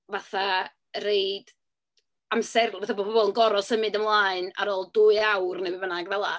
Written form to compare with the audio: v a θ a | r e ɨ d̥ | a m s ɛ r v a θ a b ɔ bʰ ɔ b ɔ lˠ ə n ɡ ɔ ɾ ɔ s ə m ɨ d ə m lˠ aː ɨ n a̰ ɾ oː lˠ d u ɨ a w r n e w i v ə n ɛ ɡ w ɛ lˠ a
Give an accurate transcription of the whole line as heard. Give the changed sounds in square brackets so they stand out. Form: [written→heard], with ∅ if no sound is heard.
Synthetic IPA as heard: v a θ a | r e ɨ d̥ | a m s ɛ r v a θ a b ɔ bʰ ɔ b ɔ lˠ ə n ɡ ɔ ɾ ɔ s ə m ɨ d ə m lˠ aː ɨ n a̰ ɾ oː lˠ d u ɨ a w r n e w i v ə n [ɛ→a] ɡ [w→v] ɛ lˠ a

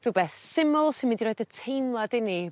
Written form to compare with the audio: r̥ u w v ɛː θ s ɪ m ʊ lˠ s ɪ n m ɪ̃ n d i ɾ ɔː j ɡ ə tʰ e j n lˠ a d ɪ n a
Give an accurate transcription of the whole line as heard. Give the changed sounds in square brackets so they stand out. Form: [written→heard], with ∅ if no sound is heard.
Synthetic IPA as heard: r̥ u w [v→b] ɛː θ s ɪ m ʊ lˠ s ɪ n m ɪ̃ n d i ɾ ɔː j [ɡ→d] ə tʰ e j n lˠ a d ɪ n [a→i]

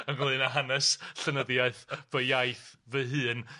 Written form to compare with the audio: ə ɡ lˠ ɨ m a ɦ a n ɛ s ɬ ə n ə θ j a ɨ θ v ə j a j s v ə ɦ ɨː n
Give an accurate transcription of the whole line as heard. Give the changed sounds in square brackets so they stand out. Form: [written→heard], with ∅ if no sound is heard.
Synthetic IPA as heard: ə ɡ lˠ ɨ [m→n] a ɦ a n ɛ s ɬ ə n ə [θ→ð] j a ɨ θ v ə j a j [s→θ] v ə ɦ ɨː n

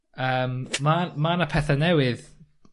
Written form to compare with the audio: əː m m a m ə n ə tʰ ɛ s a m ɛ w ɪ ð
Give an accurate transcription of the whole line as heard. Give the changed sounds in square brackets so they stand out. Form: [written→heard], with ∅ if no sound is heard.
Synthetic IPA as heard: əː m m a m [ə→a] n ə [tʰ→pʰ] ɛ [s→θ] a [m→n] ɛ w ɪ ð

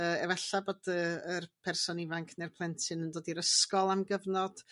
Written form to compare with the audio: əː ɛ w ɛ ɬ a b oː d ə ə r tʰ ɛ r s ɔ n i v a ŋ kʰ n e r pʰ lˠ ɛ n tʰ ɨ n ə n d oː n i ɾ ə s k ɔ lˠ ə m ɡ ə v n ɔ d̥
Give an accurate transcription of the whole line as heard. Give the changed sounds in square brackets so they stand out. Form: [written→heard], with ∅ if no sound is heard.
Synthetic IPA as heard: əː ɛ [w→v] ɛ ɬ a b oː d ə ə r [tʰ→pʰ] ɛ r s ɔ n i v a ŋ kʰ n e r pʰ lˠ ɛ n tʰ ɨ n ə n d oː [n→d] i ɾ ə s k ɔ lˠ [ə→a] m ɡ ə v n ɔ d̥

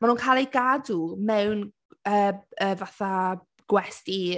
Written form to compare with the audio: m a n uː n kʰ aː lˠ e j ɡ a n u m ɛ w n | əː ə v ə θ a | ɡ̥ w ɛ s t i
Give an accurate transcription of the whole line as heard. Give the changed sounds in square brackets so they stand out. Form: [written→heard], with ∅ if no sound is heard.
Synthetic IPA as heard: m a n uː n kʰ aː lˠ e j ɡ a [n→d] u m ɛ w n | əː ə v [ə→a] θ a | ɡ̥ w ɛ s t i

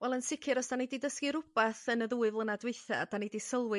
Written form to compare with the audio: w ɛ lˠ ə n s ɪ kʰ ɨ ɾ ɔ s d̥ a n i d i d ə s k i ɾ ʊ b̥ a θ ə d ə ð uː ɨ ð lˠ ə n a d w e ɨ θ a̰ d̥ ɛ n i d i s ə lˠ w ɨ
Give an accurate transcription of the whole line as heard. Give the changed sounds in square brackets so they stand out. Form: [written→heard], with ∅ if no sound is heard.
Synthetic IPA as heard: w ɛ lˠ ə n s ɪ kʰ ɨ ɾ ɔ s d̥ a n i d i d ə s k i ɾ ʊ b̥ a θ ə [d→n] ə ð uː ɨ [ð→v] lˠ ə n a d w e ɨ θ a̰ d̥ [ɛ→a] n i d i s ə lˠ w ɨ

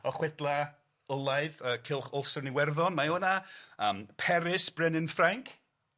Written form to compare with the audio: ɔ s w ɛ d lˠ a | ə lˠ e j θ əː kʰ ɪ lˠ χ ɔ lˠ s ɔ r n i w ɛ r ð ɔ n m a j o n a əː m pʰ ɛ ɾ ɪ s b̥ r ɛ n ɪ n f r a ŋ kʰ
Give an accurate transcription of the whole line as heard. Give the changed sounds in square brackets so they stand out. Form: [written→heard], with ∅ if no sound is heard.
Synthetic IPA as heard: ɔ [s→χ] w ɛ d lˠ a | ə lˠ [e→a] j [θ→ð] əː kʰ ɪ lˠ χ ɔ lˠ s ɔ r n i w ɛ r ð ɔ n m a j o n a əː m pʰ ɛ ɾ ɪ s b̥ r ɛ n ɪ n f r a ŋ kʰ

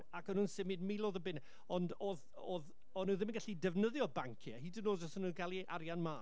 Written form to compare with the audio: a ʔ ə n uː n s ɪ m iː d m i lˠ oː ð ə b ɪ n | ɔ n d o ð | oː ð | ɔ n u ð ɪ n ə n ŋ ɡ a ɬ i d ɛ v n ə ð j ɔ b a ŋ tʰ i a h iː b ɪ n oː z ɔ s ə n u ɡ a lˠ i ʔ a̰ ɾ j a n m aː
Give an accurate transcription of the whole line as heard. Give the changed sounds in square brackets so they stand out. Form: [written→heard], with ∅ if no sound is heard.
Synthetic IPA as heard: a [ʔ→k] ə n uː n s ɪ m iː d m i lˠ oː ð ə b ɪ n | ɔ n d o ð | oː ð | ɔ n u ð ɪ [n→m] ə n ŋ ɡ a ɬ i d ɛ v n ə ð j ɔ b a ŋ [tʰ→kʰ] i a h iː [b→d] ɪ n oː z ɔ s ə n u ɡ a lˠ i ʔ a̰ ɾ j a n m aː

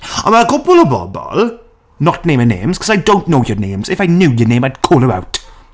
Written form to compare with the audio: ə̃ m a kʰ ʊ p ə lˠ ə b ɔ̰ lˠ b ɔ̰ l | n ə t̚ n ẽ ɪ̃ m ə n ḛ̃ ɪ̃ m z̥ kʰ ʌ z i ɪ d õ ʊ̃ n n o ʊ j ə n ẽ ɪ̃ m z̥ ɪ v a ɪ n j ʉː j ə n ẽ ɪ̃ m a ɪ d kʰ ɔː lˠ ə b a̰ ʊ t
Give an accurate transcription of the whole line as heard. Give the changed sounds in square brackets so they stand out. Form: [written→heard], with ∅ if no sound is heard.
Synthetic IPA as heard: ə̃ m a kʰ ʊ p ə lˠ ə b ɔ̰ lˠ b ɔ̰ l | n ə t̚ n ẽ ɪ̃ m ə n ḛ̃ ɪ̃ m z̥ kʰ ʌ z [i→a] ɪ d õ ʊ̃ n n o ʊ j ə n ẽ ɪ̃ m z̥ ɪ [v→f] a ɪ n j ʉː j ə n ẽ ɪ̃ m a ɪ d kʰ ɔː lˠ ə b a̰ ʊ t

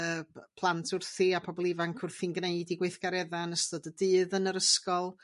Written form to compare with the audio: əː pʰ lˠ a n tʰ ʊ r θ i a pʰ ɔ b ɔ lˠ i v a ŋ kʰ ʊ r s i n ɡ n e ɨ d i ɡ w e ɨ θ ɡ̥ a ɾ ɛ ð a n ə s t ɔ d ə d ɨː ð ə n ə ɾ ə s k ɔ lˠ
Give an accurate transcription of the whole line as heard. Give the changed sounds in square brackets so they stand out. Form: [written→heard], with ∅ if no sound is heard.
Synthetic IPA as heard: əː pʰ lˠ a n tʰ ʊ r θ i a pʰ ɔ b ɔ lˠ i v a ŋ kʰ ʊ r [s→θ] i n ɡ n e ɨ d i ɡ w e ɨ θ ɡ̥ a ɾ ɛ ð a n ə s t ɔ d ə d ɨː ð ə n ə ɾ ə s k ɔ lˠ

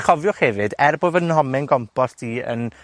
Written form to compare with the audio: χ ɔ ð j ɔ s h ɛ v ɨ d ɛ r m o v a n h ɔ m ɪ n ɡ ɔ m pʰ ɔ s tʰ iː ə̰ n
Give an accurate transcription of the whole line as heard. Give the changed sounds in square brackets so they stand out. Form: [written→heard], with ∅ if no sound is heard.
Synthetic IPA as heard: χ ɔ [ð→v] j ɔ [s→χ] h ɛ v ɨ d ɛ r [m→b] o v [a→ə] n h ɔ m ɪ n ɡ ɔ m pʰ ɔ s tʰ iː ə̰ n

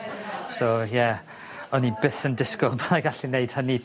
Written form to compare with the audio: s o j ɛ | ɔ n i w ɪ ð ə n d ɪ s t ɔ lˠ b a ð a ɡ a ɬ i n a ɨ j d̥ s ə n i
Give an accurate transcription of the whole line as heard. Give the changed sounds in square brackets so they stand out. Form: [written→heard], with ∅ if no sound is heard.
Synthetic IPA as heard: s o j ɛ | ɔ n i [w→b] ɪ [ð→θ] ə n d ɪ s [t→k] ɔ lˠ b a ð a ɡ a ɬ i n [a→e] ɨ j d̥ [s→h] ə n i

